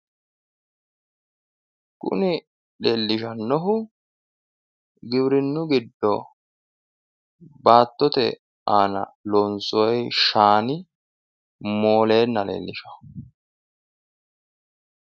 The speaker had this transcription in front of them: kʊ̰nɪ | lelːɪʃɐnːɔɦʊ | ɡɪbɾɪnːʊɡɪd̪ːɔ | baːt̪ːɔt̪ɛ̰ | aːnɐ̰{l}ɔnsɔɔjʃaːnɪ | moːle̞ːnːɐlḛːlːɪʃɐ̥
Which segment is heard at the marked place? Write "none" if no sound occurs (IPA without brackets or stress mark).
l